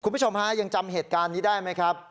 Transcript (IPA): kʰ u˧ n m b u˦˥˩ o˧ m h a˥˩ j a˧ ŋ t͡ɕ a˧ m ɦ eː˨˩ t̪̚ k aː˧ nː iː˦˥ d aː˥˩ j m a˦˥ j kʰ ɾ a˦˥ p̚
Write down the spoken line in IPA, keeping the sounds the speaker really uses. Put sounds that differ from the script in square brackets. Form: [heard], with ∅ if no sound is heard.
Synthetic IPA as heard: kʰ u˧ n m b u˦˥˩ o˧ m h [a˦˥] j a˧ ŋ t͡ɕ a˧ m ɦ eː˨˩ t̪̚ k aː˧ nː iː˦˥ d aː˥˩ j m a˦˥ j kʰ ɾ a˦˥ p̚